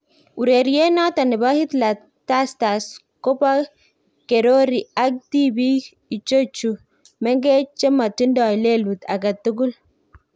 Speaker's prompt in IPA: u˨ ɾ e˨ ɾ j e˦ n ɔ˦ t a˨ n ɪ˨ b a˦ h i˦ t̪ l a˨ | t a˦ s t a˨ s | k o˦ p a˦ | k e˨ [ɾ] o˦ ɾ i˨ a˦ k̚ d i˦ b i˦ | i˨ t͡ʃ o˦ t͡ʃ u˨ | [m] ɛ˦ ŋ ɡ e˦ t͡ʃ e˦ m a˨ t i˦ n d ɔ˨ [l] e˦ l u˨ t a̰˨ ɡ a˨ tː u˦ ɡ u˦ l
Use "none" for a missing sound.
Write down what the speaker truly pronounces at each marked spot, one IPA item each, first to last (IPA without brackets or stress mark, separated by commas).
ɾ, m, l